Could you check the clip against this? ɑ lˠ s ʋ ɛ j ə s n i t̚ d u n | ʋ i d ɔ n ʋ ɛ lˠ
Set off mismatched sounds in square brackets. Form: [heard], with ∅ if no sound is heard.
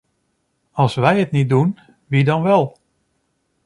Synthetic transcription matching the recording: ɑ lˠ s ʋ ɛ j ə [t] n i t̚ d u n | ʋ i d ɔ n ʋ ɛ lˠ